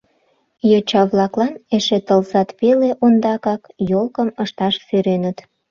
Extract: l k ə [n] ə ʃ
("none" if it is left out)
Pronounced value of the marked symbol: m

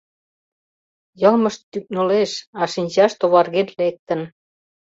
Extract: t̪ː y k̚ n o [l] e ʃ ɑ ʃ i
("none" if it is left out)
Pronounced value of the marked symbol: l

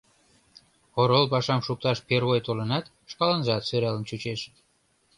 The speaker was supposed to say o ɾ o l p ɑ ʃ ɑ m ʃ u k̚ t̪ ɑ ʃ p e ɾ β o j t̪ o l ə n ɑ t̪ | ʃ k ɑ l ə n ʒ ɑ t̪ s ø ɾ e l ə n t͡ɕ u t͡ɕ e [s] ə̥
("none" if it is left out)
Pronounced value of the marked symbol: ʃ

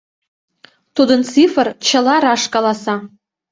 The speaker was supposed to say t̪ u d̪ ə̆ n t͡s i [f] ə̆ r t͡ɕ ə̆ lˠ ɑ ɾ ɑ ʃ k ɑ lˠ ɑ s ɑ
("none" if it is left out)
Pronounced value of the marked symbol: f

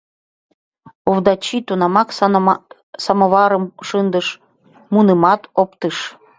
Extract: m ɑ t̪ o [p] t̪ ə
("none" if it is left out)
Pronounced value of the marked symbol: p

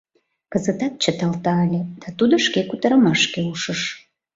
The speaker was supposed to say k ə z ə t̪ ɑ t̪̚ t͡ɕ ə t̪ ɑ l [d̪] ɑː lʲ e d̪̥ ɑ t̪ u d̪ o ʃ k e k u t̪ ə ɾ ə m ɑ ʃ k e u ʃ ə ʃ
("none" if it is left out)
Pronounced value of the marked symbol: t̪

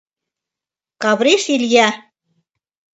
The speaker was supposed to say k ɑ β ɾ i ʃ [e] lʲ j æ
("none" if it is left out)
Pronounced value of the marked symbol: i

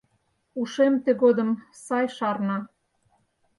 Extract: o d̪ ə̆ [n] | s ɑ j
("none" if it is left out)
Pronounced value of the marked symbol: m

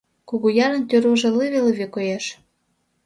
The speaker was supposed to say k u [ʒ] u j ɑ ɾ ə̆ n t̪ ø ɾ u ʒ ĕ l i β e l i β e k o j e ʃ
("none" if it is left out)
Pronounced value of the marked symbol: ɣ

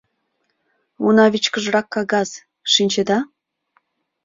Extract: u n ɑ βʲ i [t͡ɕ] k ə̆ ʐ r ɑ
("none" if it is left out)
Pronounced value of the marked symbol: t͡ɕ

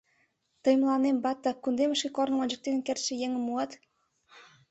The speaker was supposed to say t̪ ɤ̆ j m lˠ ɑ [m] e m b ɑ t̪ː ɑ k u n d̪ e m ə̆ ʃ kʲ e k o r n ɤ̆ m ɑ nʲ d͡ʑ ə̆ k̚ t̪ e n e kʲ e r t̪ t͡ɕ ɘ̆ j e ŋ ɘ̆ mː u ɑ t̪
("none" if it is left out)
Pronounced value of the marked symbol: n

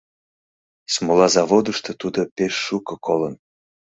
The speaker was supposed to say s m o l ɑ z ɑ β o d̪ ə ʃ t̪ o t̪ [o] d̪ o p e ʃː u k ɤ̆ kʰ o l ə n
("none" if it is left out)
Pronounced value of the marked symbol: u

